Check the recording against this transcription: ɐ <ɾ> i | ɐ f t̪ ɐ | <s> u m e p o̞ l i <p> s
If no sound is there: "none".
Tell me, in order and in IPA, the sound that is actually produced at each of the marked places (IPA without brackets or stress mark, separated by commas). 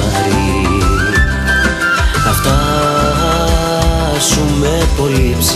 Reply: ɾ, s, p